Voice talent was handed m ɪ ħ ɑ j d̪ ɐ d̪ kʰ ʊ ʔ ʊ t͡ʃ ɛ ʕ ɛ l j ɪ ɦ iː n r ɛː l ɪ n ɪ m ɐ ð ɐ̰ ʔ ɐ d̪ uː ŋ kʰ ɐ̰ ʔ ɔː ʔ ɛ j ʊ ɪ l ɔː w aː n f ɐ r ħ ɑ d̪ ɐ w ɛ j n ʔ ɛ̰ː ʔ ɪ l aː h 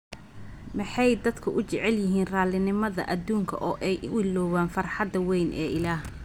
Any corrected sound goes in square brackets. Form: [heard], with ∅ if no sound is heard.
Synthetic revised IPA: m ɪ ħ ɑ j d̪ ɐ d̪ kʰ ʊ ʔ ʊ t͡ʃ ɛ ʕ ɛ l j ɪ ɦ iː n r [aː] l ɪ n ɪ m ɐ ð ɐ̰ ʔ ɐ d̪ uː ŋ kʰ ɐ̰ ʔ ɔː ʔ ɛ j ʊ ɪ l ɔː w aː n f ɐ r ħ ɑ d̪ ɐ w ɛ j n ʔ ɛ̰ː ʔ ɪ l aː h